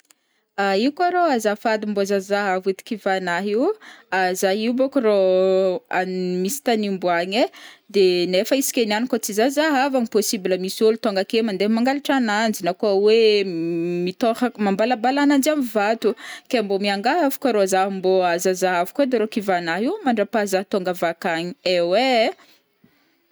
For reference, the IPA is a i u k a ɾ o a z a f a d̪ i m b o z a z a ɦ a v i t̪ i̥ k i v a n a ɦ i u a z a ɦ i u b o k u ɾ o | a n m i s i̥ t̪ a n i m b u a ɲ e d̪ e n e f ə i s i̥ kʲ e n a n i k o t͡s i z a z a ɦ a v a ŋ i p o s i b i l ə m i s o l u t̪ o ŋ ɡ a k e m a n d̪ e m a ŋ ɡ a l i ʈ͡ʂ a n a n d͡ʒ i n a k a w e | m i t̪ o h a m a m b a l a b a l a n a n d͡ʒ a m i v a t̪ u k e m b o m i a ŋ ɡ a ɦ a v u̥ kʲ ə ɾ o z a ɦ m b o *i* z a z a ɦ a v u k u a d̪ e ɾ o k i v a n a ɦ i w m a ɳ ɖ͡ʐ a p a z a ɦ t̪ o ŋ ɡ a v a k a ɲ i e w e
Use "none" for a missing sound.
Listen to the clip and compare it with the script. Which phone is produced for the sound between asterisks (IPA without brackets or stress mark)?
a